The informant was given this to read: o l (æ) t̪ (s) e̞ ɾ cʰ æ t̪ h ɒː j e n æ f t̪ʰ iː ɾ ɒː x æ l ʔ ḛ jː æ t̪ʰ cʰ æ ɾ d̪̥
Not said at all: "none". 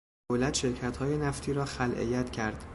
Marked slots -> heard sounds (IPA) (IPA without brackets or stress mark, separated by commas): æ, ʃ